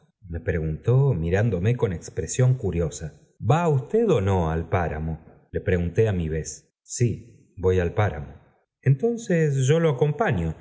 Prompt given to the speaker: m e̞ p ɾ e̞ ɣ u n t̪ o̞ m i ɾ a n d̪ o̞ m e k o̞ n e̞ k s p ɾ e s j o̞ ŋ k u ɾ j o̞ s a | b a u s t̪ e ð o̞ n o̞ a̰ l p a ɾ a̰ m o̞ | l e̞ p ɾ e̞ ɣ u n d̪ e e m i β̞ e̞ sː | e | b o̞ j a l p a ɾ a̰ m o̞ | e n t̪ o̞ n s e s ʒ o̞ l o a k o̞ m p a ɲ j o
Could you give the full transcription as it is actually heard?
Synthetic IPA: m e̞ p ɾ e̞ ɣ u n t̪ o̞ m i ɾ a n d̪ o̞ m e k o̞ n e̞ k s p ɾ e s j o̞ ŋ k u ɾ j o̞ s a | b a u s t̪ e ð o̞ n o̞ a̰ l p a ɾ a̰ m o̞ | l e̞ p ɾ e̞ ɣ u n t̪ e a m i β̞ e̞ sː | i | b o̞ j a l p a ɾ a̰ m o̞ | e n t̪ o̞ n s e s ʒ o̞ l o a k o̞ m p a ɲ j o

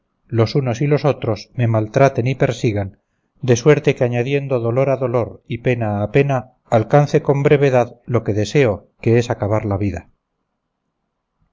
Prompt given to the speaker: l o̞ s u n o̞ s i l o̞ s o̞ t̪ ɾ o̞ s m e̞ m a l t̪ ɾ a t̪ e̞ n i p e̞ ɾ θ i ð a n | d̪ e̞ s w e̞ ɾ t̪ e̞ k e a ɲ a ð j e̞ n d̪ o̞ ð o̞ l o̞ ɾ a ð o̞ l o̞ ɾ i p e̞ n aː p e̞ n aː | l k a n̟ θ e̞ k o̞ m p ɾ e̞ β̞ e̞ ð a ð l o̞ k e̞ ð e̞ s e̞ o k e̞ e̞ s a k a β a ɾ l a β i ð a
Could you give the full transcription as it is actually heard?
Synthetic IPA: l o̞ s u n o̞ s i l o̞ s o̞ t̪ ɾ o̞ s m e̞ m a l t̪ ɾ a t̪ e̞ n i p e̞ ɾ s i ɣ a n | d̪ e̞ s w e̞ ɾ t̪ e̞ k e a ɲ a ð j e̞ n d̪ o̞ ð o̞ l o̞ ɾ a ð o̞ l o̞ ɾ i p e̞ n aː p e̞ n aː | l k a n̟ θ e̞ k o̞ m b ɾ e̞ β̞ e̞ ð a ð l o̞ k e̞ ð e̞ s e̞ o k e̞ e̞ s a k a β a ɾ l a β i ð a

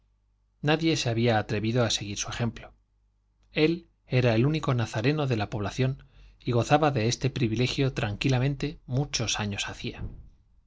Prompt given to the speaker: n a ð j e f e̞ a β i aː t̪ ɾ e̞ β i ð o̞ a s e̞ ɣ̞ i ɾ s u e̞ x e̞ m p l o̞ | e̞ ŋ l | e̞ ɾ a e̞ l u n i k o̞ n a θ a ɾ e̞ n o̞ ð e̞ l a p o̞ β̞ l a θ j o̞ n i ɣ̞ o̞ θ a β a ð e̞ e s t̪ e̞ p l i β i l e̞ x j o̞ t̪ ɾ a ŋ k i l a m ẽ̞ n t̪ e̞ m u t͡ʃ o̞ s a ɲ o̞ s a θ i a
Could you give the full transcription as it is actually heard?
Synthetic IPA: n a ð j e s e̞ a β i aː t̪ ɾ e̞ β i ð o̞ a s e̞ ɣ̞ i ɾ s u e̞ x e̞ m p l o̞ | e̞ l | e̞ ɾ a e̞ l u n i k o̞ n a θ a ɾ e̞ n o̞ ð e̞ l a p o̞ β̞ l a θ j o̞ n i ɣ̞ o̞ θ a β a ð e̞ e s t̪ e̞ p ɾ i β i l e̞ x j o̞ t̪ ɾ a ŋ k i l a m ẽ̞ n t̪ e̞ m u t͡ʃ o̞ s a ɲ o̞ s a θ i a

